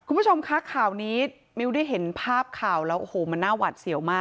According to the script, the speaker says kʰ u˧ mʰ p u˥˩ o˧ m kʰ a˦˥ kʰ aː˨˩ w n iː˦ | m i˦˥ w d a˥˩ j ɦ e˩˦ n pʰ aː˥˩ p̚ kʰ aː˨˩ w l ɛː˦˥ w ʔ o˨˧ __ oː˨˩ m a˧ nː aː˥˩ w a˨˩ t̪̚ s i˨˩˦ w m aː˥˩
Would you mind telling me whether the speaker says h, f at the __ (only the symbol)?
h